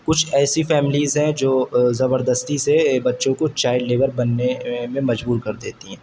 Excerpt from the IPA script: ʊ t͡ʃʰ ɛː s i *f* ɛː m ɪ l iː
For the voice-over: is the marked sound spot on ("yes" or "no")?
yes